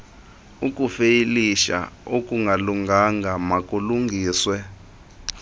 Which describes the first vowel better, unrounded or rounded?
rounded